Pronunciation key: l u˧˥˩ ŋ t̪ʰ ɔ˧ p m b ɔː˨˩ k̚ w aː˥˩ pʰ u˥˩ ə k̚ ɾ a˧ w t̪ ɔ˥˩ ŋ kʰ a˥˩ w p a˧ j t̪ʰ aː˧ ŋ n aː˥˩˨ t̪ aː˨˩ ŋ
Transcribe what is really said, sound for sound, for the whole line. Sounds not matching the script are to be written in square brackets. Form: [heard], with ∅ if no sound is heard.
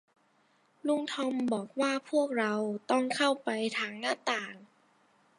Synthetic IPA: l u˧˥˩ ŋ t̪ʰ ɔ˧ [∅] m b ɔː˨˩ k̚ w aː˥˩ pʰ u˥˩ ə k̚ ɾ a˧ w t̪ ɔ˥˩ ŋ kʰ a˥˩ w p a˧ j t̪ʰ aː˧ ŋ n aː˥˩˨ t̪ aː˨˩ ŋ